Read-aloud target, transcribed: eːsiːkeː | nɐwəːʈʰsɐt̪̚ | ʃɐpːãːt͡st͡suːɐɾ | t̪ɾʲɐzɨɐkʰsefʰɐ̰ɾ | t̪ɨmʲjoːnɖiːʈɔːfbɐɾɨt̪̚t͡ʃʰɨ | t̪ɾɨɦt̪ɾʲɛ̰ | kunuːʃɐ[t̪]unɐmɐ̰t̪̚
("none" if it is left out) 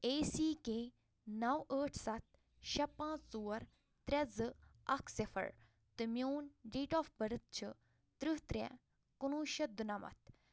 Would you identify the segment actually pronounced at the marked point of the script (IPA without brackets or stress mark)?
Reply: d̪